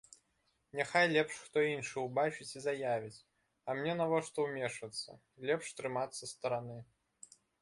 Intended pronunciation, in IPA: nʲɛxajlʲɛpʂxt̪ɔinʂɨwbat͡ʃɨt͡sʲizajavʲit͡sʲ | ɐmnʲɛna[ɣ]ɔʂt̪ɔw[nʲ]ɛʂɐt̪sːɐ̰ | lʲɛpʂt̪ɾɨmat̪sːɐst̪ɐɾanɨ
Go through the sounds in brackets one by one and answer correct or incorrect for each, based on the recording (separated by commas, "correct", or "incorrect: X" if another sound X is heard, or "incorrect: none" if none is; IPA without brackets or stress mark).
incorrect: v, incorrect: mʲ